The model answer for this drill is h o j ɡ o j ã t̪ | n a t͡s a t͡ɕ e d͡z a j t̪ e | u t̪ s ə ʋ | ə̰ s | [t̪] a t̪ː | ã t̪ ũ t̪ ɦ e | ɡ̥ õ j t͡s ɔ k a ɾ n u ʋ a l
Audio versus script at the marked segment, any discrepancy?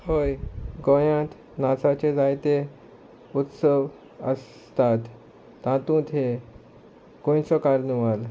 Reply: no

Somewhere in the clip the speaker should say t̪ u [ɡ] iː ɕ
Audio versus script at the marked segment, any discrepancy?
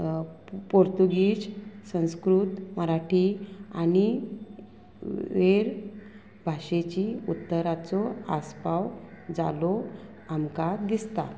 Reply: no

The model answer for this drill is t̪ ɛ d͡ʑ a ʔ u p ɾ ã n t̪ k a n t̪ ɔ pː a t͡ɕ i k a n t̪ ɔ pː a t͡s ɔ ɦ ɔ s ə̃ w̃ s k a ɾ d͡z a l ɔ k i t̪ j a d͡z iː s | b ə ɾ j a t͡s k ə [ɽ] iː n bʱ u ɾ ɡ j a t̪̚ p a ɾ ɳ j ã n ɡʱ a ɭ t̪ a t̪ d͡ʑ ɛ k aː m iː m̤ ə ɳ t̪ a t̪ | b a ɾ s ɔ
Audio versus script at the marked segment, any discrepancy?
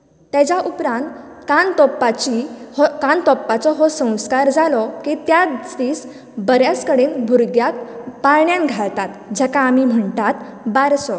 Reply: no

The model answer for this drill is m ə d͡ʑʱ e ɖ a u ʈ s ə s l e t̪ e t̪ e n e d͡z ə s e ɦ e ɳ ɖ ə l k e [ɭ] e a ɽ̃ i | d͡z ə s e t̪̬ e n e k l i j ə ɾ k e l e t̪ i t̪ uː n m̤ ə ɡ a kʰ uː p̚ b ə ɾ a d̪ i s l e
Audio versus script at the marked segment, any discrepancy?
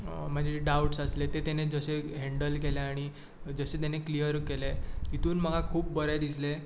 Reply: yes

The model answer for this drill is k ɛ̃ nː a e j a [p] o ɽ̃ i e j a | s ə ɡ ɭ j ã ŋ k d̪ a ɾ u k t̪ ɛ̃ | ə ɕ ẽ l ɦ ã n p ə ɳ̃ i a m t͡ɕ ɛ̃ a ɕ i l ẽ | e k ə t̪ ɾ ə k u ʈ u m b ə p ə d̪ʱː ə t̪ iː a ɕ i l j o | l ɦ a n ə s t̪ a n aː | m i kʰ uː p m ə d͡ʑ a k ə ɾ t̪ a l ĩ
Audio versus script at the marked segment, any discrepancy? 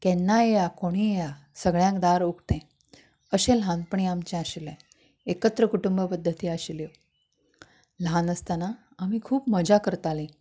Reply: yes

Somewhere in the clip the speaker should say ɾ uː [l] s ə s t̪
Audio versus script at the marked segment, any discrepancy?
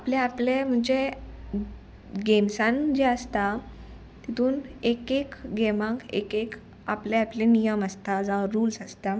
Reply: no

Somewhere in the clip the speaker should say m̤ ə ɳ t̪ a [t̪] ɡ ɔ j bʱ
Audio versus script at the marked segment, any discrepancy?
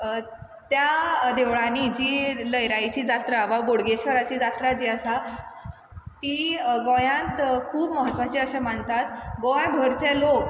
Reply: no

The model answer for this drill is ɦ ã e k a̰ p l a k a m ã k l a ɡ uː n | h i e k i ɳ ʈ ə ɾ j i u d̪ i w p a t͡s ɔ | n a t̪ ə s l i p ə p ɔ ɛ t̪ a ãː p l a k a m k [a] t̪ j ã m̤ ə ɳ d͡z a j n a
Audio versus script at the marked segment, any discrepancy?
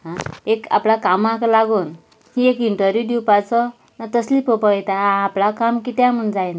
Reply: yes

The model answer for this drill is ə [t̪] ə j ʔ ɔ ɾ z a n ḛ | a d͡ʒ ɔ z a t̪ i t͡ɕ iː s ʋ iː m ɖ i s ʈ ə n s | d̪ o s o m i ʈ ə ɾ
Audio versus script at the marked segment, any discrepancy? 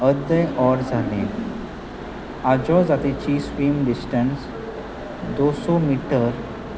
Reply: yes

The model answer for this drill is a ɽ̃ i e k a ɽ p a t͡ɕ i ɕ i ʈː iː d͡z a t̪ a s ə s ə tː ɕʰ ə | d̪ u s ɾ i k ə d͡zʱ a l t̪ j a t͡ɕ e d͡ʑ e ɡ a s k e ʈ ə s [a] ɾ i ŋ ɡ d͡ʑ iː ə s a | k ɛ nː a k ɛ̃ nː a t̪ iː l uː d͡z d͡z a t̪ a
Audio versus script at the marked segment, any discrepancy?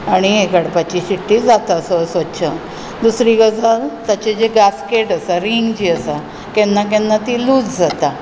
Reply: no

